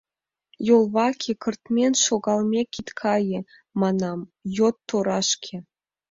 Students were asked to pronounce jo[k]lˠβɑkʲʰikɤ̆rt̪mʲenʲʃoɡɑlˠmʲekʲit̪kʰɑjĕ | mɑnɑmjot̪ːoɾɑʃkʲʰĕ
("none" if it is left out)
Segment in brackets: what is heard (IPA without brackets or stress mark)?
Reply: none